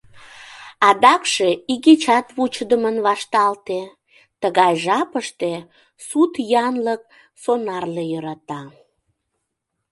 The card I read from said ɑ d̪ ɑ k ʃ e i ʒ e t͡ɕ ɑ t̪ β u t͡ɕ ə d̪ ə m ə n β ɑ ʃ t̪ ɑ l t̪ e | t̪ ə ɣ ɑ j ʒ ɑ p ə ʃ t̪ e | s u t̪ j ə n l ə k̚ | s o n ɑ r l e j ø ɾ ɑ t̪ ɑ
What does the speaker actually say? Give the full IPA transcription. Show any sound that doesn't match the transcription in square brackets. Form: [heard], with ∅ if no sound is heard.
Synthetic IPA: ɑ d̪ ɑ k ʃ e i [ɣ] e t͡ɕ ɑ t̪ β u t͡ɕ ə d̪ ə m ə n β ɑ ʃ t̪ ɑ l t̪ e | t̪ ə ɣ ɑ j ʒ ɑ p ə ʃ t̪ e | s u t̪ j [ɑ] n l ə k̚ | s o n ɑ r l e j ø ɾ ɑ t̪ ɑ